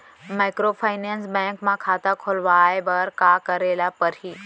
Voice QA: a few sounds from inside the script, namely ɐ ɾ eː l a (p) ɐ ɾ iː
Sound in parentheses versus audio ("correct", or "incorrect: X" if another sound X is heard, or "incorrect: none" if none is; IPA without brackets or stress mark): correct